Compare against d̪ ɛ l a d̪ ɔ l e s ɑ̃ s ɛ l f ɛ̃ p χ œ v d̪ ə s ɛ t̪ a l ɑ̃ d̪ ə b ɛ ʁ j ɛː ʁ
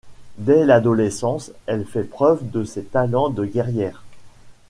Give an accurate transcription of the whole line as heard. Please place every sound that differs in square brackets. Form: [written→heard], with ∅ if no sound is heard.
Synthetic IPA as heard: d̪ ɛ l a d̪ ɔ l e s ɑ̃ s ɛ l f [ɛ̃→ɛ] p χ œ v d̪ ə s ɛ t̪ a l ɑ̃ d̪ ə [b→ɡ] ɛ ʁ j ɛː ʁ